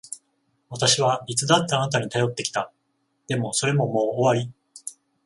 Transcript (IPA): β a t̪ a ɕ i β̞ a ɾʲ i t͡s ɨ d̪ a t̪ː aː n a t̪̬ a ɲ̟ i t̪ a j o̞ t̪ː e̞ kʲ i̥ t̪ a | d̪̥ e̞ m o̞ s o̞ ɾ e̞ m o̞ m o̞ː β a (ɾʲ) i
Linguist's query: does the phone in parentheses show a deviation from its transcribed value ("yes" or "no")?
no